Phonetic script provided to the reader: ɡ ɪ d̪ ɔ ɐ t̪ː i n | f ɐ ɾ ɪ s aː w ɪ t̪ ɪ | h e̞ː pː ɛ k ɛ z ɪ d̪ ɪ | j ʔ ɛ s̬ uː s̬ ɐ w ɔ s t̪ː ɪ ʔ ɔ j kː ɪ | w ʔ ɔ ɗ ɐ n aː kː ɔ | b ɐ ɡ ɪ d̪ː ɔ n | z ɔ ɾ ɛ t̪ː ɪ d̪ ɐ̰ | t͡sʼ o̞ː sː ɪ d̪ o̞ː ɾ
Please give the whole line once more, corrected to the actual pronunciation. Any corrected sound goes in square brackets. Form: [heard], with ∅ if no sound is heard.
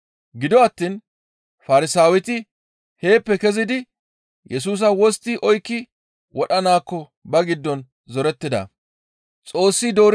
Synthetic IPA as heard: ɡ ɪ d̪ ɔ ɐ t̪ː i n | f ɐ ɾ ɪ s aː w ɪ t̪ ɪ | h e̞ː pː ɛ k ɛ z ɪ d̪ ɪ | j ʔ ɛ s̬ uː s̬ ɐ w ɔ s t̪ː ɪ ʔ ɔ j kː ɪ | w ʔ ɔ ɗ ɐ n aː kː ɔ | b ɐ ɡ ɪ d̪ː ɔ n | z ɔ ɾ ɛ t̪ː ɪ d̪ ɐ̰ | t͡sʼ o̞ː sː ɪ d̪ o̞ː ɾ